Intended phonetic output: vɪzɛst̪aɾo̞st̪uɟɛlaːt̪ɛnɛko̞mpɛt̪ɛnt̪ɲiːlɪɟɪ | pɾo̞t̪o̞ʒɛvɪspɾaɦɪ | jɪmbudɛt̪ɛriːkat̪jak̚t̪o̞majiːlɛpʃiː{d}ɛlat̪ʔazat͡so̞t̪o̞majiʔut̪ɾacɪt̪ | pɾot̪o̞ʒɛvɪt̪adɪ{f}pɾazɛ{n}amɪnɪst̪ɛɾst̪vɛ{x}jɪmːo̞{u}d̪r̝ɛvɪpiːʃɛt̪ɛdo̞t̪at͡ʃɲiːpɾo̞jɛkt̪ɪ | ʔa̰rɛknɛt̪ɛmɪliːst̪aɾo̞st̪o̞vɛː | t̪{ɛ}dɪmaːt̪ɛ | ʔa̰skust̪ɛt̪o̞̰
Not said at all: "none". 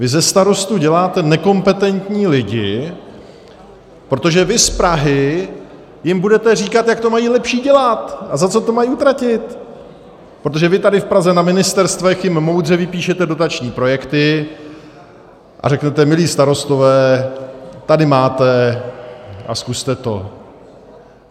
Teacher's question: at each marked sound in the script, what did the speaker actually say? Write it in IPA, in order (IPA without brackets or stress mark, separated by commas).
ɟ, f, n, x, w, a